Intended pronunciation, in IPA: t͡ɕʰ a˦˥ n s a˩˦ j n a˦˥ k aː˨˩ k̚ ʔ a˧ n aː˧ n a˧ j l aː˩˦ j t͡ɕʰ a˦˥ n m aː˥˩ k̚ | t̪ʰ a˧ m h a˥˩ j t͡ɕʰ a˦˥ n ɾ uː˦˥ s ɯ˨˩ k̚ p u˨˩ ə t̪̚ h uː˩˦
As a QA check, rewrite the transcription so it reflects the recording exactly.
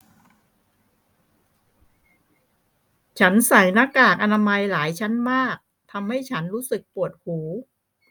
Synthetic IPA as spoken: t͡ɕʰ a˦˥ n s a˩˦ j n a˦˥ k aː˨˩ k̚ ʔ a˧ n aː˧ m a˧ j l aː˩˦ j t͡ɕʰ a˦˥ n m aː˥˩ k̚ | t̪ʰ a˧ m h a˥˩ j t͡ɕʰ a˦˥ n ɾ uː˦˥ s ɯ˨˩ k̚ p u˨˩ ə t̪̚ h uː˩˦

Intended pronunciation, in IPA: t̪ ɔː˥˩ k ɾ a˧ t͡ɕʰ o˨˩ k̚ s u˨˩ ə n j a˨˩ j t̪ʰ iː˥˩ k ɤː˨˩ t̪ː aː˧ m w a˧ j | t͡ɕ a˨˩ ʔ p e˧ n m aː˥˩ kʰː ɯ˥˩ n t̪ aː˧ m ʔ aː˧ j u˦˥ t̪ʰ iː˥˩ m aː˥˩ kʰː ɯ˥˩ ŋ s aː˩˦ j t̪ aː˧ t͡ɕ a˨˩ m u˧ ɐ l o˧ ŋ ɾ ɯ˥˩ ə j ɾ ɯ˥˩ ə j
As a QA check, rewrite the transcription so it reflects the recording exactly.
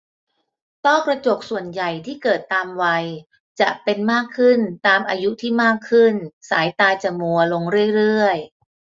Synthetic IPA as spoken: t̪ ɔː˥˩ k ɾ a˧ t͡ɕ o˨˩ k̚ s u˨˩ ə n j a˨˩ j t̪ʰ iː˥˩ k ɤː˨˩ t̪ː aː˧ m w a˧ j | t͡ɕ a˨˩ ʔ p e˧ n m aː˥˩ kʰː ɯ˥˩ n t̪ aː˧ m ʔ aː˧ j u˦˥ t̪ʰ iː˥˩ m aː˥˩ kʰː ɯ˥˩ n s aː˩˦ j t̪ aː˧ t͡ɕ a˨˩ m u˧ ɐ l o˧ ŋ ɾ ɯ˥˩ ə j ɾ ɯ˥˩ ə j

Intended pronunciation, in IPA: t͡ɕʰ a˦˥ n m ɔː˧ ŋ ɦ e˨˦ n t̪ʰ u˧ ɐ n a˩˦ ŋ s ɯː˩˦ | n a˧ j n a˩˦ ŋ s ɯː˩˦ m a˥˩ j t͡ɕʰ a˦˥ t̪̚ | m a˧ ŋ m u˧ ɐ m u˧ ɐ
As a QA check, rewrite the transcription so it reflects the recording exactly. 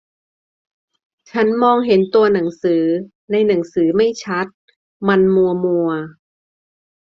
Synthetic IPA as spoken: t͡ɕʰ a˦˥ n m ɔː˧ ŋ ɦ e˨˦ n t̪ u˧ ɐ n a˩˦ ŋ s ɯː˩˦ | n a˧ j n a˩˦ ŋ s ɯː˩˦ m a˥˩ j t͡ɕʰ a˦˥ t̪̚ | m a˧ n m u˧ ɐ m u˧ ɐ

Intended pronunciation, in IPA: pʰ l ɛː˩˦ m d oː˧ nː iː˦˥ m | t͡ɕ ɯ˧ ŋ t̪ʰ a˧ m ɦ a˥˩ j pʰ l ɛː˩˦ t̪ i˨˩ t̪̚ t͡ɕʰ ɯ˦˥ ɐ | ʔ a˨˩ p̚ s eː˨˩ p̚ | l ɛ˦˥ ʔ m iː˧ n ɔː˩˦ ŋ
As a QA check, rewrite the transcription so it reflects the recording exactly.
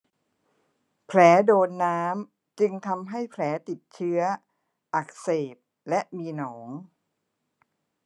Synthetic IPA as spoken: pʰ l ɛː˩˦ d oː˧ nː aː˦˥ m | t͡ɕ ɯ˧ ŋ t̪ʰ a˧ m ɦ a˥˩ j pʰ l ɛː˩˦ t̪ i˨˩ t̪̚ t͡ɕʰ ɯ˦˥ ɐ | ʔ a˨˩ k̚ s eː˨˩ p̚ | l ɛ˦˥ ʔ m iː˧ n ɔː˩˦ ŋ

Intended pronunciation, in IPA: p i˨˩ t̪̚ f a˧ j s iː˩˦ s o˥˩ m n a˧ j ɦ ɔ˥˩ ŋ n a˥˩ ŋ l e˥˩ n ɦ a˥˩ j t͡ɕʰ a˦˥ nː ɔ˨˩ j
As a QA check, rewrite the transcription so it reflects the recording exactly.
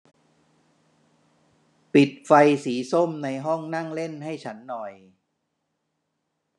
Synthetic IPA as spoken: p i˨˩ t̪̚ f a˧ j s iː˩˦ s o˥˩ m n a˧ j ɦ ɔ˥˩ ŋ n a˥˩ ŋ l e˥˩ n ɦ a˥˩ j t͡ɕʰ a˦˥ nː ɔ˨˩ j

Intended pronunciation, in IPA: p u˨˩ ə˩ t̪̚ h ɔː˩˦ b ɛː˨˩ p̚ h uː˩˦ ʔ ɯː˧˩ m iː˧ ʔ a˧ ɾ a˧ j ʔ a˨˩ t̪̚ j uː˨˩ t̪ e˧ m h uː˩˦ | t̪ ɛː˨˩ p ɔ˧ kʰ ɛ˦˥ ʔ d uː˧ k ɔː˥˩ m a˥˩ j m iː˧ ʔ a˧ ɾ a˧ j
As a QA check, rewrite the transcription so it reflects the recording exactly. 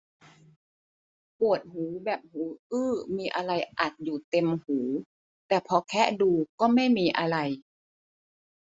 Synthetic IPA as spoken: p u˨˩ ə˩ t̪̚ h uː˩˦ b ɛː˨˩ p̚ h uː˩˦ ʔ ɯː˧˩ m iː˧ ʔ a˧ ɾ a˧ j ʔ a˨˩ t̪̚ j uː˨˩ t̪ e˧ m h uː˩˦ | t̪ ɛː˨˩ pʰ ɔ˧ kʰ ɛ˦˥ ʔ d uː˧ k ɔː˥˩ m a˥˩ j m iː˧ ʔ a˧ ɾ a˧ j

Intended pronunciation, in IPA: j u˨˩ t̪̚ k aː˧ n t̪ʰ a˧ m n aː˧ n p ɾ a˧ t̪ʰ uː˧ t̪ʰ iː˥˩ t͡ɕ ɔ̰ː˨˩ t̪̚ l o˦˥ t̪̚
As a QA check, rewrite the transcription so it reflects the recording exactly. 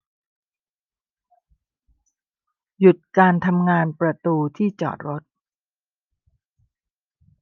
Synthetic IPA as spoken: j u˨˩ t̪̚ k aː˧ n t̪ʰ a˧ m ŋ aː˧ n p ɾ a˧ t̪ uː˧ t̪ʰ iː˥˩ t͡ɕ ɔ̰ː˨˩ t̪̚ ɾ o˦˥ t̪̚

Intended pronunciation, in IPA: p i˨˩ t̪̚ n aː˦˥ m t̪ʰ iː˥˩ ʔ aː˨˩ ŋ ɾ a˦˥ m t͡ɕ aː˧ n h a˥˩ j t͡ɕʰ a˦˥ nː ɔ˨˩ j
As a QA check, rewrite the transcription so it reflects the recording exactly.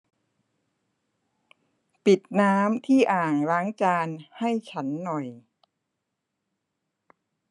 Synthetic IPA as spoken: p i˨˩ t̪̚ n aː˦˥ m t̪ʰ iː˥˩ ʔ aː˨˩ ŋ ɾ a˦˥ ŋ t͡ɕ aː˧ n h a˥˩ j t͡ɕʰ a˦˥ nː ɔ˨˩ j

